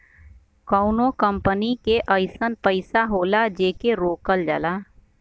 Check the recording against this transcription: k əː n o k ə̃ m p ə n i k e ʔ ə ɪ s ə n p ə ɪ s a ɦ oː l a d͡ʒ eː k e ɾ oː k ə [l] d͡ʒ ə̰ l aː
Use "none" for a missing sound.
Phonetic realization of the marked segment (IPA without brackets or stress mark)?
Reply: l